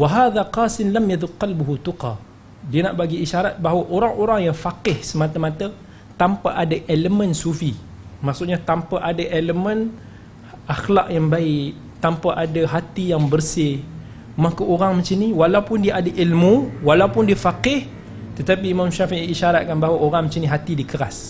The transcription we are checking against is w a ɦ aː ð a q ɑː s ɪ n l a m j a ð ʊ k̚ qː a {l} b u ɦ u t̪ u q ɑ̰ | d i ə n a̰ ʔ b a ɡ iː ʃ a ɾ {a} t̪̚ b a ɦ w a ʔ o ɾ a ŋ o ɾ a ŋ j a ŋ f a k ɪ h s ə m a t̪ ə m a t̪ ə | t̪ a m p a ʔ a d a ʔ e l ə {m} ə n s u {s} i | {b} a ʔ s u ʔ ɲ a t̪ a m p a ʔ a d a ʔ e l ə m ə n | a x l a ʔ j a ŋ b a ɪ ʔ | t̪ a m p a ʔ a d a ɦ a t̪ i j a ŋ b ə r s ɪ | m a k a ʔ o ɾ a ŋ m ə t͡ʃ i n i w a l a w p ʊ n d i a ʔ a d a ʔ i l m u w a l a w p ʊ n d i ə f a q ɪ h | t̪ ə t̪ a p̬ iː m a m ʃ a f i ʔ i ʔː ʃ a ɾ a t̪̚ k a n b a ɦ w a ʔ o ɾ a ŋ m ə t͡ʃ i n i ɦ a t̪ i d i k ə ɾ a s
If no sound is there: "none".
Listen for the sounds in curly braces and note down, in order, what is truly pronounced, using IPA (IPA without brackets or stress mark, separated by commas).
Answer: l, a, m, f, m